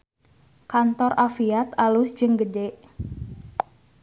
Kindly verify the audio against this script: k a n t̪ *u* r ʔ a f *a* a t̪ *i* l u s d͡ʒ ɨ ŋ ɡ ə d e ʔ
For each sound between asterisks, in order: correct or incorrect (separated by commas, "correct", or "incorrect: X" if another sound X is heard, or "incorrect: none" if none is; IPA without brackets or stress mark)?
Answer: incorrect: ɔ, incorrect: i, incorrect: a